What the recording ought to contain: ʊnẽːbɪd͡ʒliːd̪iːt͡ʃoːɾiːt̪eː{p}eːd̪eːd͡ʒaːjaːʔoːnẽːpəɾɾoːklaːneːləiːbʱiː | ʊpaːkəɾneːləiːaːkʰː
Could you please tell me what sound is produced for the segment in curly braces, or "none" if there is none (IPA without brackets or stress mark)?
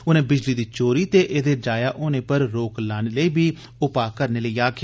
ʔ